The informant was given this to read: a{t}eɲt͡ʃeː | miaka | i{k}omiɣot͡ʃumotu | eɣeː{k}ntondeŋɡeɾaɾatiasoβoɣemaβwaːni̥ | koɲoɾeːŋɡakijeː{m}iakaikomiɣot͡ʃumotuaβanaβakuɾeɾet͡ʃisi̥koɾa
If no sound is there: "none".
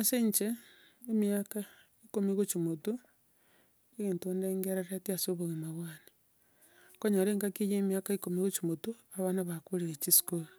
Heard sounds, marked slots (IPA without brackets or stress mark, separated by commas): s, k, none, m